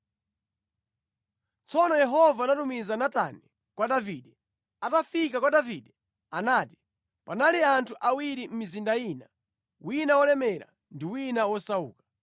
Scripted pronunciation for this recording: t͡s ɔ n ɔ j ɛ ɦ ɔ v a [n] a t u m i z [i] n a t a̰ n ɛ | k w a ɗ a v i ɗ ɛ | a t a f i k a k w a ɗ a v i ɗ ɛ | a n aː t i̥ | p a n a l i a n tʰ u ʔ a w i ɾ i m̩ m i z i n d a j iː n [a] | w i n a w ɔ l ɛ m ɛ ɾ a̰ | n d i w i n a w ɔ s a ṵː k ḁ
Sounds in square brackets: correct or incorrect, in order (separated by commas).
correct, incorrect, correct